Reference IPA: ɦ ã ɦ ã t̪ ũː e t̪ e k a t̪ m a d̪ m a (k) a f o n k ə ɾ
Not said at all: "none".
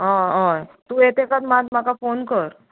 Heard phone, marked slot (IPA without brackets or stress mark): k